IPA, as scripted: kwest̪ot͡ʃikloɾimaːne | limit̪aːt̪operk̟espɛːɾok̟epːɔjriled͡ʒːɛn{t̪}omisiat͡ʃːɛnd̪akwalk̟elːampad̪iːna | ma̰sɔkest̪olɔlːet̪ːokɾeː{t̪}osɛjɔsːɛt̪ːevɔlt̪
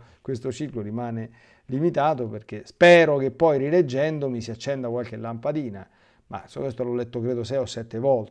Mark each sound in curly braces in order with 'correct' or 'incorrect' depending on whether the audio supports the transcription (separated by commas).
incorrect, incorrect